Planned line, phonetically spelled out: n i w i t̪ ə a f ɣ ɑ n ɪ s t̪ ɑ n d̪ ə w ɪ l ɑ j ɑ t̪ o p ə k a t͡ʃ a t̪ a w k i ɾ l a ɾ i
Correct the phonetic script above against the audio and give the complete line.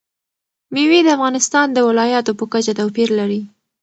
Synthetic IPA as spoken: m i w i d̪ ə a f ɣ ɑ n ɪ s t̪ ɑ n d̪ ə w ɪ l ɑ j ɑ t̪ o p ə k a t͡ʃ a t̪ a w p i ɾ l a ɾ i